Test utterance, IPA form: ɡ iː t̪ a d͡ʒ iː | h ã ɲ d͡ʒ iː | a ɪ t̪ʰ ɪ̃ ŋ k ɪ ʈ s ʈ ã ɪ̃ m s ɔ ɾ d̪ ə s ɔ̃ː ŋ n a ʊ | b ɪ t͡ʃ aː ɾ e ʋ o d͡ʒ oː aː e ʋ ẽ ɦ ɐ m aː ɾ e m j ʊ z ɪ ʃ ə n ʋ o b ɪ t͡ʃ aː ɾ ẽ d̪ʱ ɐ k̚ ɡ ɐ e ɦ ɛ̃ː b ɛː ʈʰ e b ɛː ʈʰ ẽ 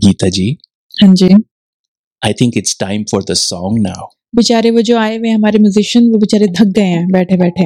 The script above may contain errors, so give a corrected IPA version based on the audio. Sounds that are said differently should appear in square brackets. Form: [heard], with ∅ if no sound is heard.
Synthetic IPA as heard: ɡ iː t̪ a d͡ʒ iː | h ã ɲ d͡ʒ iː | a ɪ t̪ʰ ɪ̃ ŋ k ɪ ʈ s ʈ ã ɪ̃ m [f] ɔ ɾ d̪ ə s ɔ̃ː ŋ n a ʊ | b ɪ t͡ʃ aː ɾ e ʋ o d͡ʒ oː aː e ʋ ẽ ɦ ɐ m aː ɾ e m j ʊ z ɪ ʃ ə n ʋ o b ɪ t͡ʃ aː ɾ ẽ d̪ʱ ɐ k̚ ɡ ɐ e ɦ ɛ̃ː b ɛː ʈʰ e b ɛː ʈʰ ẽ